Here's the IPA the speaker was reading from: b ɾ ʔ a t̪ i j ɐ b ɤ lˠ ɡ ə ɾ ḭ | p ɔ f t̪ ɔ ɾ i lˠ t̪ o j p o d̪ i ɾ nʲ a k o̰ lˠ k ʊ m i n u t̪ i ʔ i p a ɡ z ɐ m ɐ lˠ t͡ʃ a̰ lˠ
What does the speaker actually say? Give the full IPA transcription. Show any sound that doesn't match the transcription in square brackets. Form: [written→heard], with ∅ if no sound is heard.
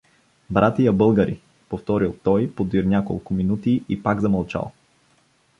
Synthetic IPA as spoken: b ɾ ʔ a t̪ i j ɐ b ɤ lˠ ɡ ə ɾ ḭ | p [ɔ→o] f t̪ ɔ ɾ i lˠ t̪ [o→ɔ] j p o d̪ i ɾ nʲ a k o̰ lˠ k ʊ m i n u t̪ i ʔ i p a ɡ z ɐ m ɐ lˠ t͡ʃ a̰ lˠ